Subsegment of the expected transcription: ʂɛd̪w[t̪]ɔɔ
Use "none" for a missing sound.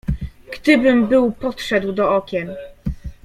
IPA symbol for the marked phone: d̪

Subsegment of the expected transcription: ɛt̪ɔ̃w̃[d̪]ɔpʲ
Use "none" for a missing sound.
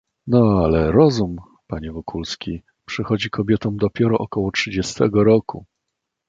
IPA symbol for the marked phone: d̪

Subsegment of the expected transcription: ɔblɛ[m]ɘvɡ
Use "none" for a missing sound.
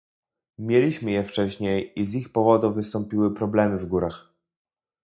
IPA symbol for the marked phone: m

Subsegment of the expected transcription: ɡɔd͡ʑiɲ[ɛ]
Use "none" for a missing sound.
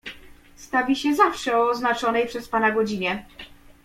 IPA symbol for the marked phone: ɛ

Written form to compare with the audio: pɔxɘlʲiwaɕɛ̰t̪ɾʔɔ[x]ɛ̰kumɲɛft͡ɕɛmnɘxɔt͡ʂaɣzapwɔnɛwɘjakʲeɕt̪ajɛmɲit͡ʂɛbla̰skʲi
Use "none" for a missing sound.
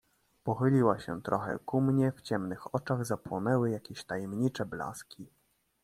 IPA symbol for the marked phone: x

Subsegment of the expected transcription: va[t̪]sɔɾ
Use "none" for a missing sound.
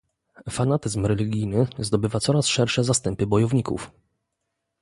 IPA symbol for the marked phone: t̪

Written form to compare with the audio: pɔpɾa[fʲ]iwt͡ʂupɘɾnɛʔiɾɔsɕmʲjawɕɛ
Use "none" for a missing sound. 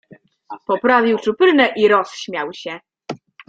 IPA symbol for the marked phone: vʲ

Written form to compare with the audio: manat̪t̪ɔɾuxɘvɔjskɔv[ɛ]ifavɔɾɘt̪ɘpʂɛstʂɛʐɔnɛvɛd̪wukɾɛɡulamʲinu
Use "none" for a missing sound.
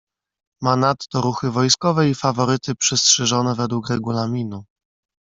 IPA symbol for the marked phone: ɛ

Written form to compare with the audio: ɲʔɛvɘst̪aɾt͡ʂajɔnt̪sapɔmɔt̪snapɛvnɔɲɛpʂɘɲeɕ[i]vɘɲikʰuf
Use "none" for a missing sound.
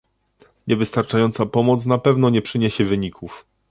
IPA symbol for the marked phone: ɛ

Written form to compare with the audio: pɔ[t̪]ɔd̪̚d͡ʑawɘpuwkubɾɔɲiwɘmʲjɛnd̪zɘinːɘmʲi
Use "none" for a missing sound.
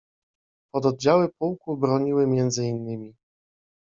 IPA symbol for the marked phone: d̪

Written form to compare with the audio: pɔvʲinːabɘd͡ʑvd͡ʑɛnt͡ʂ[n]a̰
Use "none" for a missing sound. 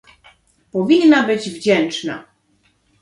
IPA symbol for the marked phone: n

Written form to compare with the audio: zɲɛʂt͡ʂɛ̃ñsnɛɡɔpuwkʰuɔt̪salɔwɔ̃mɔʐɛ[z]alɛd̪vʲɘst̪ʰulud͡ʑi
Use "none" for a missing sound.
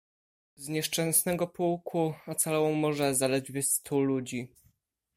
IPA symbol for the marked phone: z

